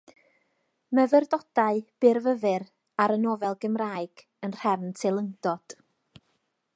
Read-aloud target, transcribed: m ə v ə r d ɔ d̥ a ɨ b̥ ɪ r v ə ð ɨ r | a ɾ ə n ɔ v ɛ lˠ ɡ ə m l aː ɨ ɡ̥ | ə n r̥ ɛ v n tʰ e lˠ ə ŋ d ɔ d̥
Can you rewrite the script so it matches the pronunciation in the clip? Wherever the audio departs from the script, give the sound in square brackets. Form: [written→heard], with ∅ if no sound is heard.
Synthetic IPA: m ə v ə r d ɔ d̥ a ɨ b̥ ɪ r v ə [ð→v] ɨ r | a ɾ ə n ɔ v ɛ lˠ ɡ ə m [l→r] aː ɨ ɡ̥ | ə n r̥ ɛ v n tʰ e lˠ ə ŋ d ɔ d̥